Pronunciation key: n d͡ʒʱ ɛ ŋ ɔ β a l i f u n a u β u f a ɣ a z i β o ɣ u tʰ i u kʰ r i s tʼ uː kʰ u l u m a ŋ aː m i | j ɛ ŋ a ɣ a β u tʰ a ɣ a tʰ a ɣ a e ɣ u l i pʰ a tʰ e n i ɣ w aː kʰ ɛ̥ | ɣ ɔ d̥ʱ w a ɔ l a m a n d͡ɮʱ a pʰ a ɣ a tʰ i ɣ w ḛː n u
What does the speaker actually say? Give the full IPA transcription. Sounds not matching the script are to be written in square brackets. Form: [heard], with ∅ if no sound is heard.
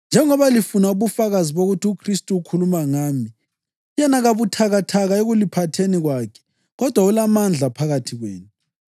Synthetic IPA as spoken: n d͡ʒʱ ɛ ŋ ɔ β a l i f u n a u β u f a ɣ a z i β o ɣ u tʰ i u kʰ r i s tʼ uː kʰ u l u m a ŋ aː m i | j ɛ [n] a ɣ a β u tʰ a ɣ a tʰ a ɣ a e ɣ u l i pʰ a tʰ e n i ɣ w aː kʰ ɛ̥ | ɣ ɔ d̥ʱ w a [u] l a m a n d͡ɮʱ a pʰ a ɣ a tʰ i ɣ w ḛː n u